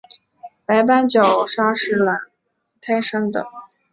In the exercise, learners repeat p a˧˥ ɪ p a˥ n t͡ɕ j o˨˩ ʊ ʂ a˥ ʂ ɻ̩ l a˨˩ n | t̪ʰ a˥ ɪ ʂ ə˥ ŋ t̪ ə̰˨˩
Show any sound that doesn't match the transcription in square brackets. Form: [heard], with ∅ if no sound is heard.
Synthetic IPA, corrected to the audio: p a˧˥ ɪ p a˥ n t͡ɕ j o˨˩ ʊ ʂ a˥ ʂ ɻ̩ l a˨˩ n | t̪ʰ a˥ ɪ ʂ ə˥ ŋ [d̪] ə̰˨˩